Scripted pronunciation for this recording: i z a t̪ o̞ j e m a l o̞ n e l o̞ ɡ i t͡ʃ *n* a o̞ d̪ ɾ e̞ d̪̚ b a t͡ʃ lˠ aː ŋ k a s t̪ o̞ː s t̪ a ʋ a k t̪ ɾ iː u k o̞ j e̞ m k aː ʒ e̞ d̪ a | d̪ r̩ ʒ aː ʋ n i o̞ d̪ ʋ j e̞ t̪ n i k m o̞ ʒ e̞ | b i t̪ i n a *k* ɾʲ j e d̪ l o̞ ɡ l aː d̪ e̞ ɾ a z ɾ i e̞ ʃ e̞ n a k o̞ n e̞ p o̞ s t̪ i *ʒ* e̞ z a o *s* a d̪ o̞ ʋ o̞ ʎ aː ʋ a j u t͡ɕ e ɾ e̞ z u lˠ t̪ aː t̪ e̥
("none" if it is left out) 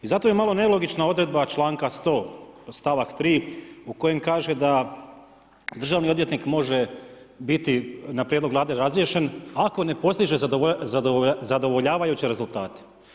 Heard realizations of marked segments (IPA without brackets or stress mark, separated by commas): n, p, ʒ, z